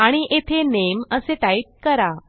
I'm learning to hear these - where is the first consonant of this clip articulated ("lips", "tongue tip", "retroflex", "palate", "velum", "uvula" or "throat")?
retroflex